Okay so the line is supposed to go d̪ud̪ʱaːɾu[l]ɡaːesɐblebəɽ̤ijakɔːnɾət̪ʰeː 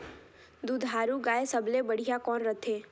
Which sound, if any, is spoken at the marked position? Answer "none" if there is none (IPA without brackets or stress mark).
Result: none